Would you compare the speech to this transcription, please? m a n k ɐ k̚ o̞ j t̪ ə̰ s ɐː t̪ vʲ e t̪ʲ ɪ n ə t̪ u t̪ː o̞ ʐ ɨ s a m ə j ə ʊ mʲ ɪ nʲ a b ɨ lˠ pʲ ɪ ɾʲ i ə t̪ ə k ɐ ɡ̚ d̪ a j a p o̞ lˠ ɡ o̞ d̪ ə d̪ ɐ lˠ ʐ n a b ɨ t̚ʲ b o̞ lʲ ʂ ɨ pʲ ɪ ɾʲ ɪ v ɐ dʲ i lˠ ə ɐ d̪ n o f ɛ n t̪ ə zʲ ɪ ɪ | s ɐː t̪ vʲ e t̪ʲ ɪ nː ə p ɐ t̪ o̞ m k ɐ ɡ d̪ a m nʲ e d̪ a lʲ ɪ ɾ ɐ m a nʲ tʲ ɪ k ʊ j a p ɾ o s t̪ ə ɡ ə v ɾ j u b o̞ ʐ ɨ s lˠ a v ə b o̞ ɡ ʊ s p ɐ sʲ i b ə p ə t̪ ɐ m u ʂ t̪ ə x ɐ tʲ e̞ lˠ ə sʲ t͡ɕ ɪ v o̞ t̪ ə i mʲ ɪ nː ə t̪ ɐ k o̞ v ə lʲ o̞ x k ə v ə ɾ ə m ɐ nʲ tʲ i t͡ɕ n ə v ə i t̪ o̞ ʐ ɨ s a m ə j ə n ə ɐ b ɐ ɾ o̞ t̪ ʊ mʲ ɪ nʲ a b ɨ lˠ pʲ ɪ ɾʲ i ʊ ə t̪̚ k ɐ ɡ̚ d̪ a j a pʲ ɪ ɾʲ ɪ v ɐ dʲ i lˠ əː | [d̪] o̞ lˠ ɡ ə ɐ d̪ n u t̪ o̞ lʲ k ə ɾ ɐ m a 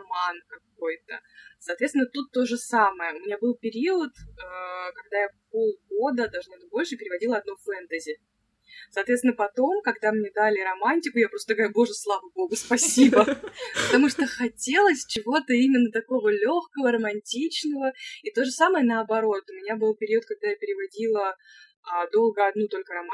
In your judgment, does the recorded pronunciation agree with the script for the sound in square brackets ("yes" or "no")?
yes